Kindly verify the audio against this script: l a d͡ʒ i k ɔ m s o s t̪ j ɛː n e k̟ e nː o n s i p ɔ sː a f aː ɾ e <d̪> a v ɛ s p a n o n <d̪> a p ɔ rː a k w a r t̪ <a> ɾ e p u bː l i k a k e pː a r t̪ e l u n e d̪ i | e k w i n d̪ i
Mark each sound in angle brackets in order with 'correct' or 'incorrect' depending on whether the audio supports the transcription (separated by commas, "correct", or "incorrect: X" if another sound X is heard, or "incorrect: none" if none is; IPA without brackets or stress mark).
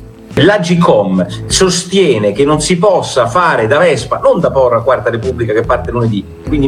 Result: correct, correct, correct